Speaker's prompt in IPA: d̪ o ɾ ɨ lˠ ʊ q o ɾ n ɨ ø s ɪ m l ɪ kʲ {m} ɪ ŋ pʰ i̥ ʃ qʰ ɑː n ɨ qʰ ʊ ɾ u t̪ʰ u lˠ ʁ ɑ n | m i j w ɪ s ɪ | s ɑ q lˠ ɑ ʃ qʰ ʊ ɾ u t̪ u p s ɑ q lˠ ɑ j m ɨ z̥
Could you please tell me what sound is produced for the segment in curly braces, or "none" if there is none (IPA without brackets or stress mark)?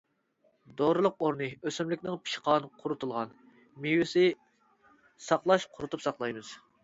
n